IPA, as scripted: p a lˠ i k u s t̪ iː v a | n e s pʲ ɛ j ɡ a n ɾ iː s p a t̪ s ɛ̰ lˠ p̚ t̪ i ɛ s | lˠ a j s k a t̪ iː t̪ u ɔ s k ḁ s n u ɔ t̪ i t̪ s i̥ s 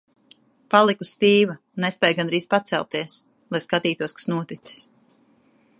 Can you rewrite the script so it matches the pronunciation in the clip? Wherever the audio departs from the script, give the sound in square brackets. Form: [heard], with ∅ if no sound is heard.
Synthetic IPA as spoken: p a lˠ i k u s t̪ iː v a | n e s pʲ ɛ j ɡ a n ɾ iː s p a t̪ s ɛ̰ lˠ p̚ t̪ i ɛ s | lˠ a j s k a t̪ iː t̪ u ɔ s k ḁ s n u ɔ t̪ i t̪ s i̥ s